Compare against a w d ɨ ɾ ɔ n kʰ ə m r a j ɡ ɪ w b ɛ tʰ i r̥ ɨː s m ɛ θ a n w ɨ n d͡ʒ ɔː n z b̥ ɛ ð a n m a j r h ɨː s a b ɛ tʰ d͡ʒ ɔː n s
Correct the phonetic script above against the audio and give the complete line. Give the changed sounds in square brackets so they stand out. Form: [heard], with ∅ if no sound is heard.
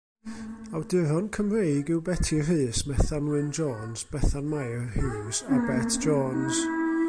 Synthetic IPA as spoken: a w d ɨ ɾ ɔ n kʰ ə m r [e] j ɡ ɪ w b ɛ tʰ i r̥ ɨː s m ɛ θ a n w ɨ n d͡ʒ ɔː n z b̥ ɛ [θ] a n m a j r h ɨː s a b ɛ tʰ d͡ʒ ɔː n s

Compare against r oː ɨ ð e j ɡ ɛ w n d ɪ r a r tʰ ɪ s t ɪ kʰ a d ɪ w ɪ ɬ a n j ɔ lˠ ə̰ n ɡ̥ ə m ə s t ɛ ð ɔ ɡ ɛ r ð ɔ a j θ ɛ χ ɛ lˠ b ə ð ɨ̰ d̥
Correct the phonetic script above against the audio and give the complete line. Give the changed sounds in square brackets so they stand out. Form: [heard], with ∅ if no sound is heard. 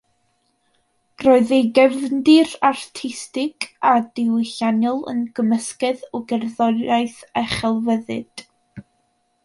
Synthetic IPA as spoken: r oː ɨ ð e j ɡ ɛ [v] n d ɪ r a r tʰ ɪ s t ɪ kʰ a d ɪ w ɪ ɬ a n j ɔ lˠ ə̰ n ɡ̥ ə m ə s [k] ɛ ð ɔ ɡ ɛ r ð ɔ a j θ ɛ χ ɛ lˠ [v] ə ð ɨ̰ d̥

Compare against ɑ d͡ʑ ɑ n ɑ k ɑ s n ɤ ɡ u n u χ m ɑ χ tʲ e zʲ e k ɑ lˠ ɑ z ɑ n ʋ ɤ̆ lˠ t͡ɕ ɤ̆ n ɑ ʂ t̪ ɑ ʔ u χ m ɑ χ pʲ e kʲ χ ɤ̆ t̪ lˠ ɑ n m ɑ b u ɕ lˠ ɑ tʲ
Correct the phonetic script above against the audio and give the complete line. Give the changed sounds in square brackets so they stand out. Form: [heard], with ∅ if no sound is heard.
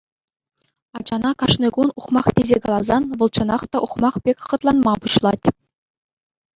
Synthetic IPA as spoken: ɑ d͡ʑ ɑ n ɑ k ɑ [ʂ] n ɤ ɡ u n u χ m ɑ χ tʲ e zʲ e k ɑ lˠ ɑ z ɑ n ʋ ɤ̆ lˠ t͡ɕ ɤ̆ n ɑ [χ] t̪ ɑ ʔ u χ m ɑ χ pʲ e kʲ χ ɤ̆ t̪ lˠ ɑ n m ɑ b u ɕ lˠ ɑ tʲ

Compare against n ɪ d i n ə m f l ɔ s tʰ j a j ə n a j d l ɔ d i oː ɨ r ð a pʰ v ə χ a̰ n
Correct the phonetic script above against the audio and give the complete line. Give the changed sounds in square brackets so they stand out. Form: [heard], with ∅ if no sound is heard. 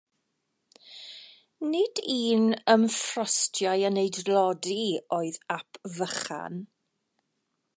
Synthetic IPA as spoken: n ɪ d [iː] n ə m f [r] ɔ s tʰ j a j ə n [e] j d l ɔ d i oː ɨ [∅] ð a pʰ v ə χ a̰ n

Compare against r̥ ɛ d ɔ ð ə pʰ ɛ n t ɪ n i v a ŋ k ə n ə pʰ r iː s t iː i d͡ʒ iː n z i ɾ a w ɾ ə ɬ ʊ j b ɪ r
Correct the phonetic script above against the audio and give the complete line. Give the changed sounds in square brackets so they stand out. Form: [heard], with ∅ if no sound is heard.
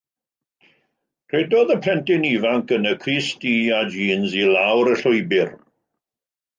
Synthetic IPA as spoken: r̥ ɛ d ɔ ð ə pʰ ɛ n t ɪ n i v a ŋ k ə n ə [kʰ] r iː s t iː [a] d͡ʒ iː n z i [l] a w ɾ ə ɬ ʊ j b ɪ r

